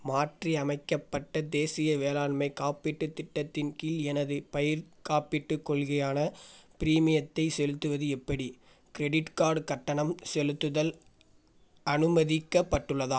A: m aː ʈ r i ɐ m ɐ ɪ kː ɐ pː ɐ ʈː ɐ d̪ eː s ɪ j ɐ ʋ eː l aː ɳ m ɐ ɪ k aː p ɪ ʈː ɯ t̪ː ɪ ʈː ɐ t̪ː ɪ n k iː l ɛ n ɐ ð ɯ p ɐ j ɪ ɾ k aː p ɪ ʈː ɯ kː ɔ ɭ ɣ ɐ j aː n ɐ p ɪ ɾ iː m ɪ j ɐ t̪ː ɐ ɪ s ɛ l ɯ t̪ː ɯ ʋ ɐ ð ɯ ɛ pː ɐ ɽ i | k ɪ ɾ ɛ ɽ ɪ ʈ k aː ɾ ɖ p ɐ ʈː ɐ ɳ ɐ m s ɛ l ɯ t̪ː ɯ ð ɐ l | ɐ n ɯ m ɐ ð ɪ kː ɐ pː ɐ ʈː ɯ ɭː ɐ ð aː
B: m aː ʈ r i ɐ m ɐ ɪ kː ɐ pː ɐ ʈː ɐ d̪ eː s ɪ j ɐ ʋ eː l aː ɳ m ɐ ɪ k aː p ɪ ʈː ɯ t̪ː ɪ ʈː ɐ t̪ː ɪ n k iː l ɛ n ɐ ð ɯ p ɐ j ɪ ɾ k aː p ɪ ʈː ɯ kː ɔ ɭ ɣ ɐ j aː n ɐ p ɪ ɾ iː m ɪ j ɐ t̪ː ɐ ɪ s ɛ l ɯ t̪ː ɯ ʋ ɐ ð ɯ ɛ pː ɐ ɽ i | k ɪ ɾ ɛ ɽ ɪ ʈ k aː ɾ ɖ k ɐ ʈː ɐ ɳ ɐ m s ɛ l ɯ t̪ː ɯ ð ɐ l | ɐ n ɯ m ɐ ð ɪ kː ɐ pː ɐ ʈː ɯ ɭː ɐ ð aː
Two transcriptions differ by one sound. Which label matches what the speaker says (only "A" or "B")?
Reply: B